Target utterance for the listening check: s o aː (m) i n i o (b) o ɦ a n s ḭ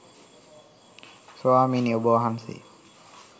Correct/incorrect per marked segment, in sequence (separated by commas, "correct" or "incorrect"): correct, correct